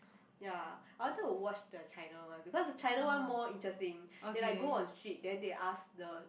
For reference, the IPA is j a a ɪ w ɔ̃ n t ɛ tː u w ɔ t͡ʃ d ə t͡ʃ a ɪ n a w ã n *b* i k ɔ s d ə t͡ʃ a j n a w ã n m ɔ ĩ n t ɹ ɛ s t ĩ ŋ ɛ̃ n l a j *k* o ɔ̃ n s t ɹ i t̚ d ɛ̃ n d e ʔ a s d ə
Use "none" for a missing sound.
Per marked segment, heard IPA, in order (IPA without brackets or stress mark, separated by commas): b, ɡ